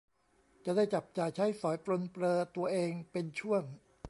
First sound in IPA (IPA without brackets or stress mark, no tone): t͡ɕ